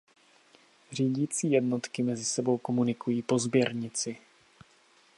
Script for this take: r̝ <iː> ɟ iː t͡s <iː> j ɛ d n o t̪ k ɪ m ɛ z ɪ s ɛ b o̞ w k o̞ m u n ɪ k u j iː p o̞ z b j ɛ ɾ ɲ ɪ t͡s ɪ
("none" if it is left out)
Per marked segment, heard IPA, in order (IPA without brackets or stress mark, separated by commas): iː, iː